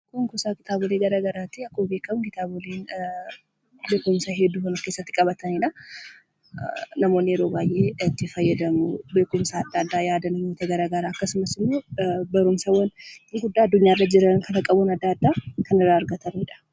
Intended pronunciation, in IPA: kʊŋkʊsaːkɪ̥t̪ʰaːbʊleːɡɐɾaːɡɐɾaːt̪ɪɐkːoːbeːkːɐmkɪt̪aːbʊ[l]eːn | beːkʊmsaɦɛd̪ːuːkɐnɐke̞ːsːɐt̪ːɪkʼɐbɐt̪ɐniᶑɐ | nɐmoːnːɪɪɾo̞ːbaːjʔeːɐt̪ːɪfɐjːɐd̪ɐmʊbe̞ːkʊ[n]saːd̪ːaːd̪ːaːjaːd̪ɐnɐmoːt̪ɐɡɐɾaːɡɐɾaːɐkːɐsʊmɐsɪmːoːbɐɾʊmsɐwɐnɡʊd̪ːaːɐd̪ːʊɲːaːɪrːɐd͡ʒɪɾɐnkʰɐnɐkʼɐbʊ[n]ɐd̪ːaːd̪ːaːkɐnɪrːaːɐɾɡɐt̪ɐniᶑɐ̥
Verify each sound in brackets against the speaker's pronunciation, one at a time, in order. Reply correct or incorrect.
correct, incorrect, correct

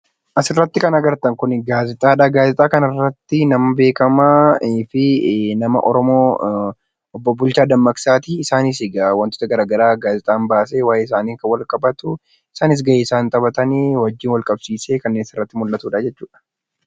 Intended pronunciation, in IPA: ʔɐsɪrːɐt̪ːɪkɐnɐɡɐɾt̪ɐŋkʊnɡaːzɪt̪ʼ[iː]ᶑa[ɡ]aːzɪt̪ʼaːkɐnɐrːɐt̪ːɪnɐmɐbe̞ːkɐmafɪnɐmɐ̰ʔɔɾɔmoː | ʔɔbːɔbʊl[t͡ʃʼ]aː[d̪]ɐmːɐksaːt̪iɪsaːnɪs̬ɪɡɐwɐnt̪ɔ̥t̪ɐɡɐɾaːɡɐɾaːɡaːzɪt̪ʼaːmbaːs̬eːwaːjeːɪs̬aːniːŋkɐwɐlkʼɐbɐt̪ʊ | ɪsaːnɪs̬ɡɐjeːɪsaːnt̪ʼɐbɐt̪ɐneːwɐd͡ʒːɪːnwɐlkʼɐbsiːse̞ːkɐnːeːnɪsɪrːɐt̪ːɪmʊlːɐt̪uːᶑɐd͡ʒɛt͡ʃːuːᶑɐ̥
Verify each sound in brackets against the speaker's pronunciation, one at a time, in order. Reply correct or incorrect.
incorrect, correct, incorrect, correct

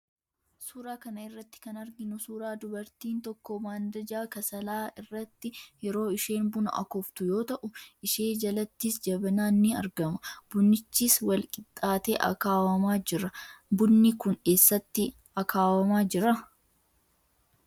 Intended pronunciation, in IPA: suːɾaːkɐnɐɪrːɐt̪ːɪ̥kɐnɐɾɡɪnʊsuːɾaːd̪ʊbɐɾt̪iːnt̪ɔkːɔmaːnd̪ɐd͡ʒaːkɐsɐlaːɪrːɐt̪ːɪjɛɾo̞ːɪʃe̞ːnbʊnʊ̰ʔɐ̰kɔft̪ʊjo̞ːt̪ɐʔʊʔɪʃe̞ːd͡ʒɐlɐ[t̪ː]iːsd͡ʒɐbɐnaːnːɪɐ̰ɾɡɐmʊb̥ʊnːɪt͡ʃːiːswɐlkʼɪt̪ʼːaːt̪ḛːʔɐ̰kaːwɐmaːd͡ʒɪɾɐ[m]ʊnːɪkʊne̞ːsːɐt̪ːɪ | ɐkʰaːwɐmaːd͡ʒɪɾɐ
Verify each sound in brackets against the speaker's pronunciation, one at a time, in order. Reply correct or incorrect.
correct, incorrect

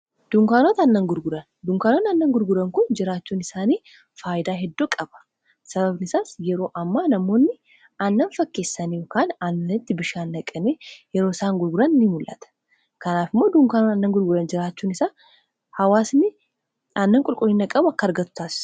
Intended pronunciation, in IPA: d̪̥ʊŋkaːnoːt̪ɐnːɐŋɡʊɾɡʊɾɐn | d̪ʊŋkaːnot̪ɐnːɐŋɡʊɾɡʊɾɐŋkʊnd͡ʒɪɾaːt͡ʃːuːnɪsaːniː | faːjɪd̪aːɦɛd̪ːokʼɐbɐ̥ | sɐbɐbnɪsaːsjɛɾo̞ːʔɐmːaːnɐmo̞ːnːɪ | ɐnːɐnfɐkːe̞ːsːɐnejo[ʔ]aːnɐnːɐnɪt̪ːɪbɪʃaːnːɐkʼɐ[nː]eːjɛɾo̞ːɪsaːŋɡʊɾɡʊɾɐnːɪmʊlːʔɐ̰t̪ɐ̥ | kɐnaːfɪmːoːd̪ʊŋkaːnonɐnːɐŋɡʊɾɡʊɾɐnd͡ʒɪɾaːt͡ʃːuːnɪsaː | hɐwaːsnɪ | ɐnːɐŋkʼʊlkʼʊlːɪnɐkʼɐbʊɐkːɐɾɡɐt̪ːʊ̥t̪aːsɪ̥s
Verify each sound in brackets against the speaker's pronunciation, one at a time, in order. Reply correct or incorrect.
incorrect, incorrect

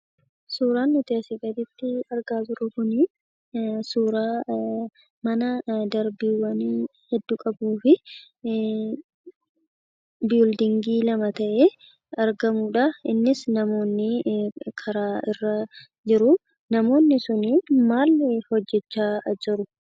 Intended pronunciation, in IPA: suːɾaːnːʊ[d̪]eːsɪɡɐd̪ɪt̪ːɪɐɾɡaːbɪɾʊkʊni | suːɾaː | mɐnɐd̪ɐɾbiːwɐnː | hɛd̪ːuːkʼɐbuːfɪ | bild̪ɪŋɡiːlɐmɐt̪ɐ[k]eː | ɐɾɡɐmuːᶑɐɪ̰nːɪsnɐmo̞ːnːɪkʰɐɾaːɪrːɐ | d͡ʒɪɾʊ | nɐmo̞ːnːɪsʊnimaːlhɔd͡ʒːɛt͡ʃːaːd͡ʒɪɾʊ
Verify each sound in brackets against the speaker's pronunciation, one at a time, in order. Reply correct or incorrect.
incorrect, incorrect

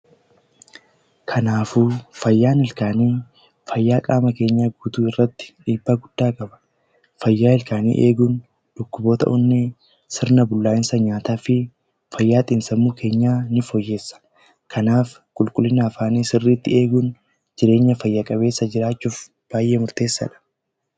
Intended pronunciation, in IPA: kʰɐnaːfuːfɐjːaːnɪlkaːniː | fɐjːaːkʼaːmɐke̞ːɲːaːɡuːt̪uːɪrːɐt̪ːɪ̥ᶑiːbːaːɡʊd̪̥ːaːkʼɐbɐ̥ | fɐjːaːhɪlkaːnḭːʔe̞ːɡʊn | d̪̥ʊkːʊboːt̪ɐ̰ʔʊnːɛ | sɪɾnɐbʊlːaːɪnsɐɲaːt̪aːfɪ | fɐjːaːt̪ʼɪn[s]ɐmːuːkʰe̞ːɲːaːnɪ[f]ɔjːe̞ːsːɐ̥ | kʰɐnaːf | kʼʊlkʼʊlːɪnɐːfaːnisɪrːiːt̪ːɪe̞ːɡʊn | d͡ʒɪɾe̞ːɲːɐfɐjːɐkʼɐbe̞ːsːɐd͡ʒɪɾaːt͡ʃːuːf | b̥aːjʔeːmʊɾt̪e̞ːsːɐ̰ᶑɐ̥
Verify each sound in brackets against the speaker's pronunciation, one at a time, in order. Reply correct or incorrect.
correct, correct

